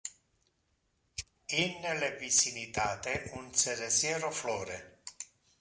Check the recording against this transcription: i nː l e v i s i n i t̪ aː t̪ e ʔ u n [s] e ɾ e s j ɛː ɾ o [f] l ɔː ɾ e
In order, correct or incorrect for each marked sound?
correct, correct

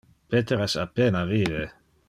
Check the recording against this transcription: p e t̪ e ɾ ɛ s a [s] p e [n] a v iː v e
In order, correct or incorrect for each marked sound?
incorrect: none, correct

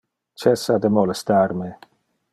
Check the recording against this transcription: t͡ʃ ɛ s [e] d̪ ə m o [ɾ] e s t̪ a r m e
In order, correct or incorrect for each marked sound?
incorrect: a, incorrect: l

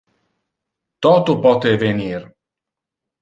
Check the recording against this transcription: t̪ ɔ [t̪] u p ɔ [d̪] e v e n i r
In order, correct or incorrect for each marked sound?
correct, incorrect: t̪

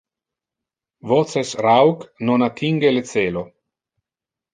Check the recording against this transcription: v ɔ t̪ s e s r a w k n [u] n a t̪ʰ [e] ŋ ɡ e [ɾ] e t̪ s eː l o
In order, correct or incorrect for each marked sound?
incorrect: o, incorrect: i, incorrect: l

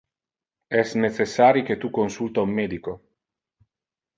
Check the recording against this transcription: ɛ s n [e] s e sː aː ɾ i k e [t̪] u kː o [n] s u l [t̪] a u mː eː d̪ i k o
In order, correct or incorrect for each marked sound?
correct, correct, correct, correct

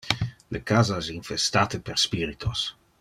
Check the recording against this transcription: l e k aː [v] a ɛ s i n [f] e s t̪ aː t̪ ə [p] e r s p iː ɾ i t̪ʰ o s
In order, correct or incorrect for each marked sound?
incorrect: z, correct, correct

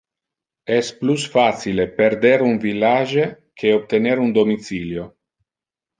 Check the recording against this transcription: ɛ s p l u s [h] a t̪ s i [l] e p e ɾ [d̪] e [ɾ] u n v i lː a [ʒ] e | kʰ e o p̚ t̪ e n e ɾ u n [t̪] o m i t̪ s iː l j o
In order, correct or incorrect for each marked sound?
incorrect: f, correct, correct, correct, correct, incorrect: d̪

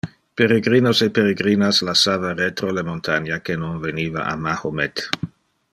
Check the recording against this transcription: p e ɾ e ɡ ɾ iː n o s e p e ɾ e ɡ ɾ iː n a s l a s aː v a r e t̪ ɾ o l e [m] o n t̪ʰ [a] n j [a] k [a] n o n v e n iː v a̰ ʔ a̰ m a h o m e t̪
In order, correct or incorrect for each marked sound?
correct, correct, correct, incorrect: e

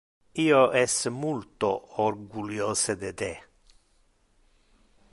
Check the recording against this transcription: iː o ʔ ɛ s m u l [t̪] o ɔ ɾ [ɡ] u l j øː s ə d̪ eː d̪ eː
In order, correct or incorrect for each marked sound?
correct, correct

